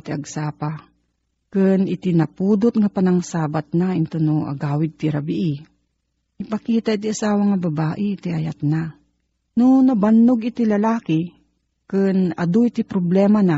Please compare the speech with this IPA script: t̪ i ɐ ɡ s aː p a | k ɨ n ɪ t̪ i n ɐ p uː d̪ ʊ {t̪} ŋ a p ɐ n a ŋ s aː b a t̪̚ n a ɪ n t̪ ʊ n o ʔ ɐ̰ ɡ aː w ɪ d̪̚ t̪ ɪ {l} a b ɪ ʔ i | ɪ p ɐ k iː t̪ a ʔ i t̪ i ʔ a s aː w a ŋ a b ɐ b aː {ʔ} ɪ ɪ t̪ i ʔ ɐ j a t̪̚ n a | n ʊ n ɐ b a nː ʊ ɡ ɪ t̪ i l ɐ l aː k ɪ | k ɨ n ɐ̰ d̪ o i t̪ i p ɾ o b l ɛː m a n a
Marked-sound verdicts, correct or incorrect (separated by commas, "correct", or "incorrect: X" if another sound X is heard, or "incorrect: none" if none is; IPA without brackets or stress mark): correct, incorrect: ɾ, correct